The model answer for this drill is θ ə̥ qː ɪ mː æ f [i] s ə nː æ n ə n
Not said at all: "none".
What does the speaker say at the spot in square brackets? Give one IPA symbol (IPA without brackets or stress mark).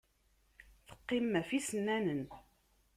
i